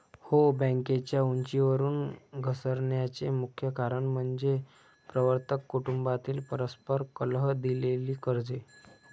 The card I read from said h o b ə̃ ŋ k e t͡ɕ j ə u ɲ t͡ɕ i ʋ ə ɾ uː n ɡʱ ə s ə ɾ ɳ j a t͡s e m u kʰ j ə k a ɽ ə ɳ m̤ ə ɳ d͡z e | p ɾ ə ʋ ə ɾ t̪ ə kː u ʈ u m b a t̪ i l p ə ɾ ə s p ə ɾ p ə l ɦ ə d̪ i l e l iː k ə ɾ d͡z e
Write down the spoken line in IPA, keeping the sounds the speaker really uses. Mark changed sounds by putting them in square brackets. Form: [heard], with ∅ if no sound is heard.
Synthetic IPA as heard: h o b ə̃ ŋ k e t͡ɕ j [a] u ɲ t͡ɕ i ʋ ə ɾ uː n ɡʱ ə s ə ɾ ɳ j a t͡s e m u kʰ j ə k a [ɾ] ə ɳ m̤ ə ɳ d͡z e | p ɾ ə ʋ ə ɾ t̪ ə kː u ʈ u m b a t̪ [iː] l p ə ɾ ə s p ə ɾ [k] ə l ɦ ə d̪ i l e l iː k ə ɾ d͡z e